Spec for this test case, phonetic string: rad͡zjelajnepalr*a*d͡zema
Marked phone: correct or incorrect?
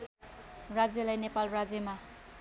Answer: correct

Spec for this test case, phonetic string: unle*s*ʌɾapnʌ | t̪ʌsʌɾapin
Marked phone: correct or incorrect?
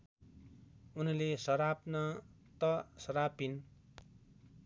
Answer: correct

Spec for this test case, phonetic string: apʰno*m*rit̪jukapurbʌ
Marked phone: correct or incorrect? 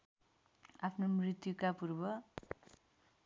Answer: correct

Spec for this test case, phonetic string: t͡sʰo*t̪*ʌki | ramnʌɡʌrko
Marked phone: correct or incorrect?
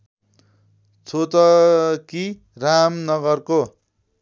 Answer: correct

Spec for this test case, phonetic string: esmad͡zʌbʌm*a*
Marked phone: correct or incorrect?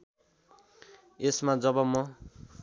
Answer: incorrect: ʌ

